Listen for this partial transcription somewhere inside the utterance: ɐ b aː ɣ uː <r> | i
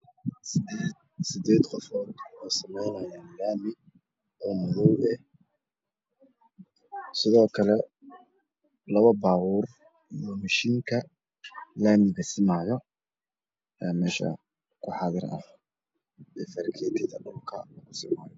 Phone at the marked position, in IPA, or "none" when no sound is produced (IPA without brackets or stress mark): r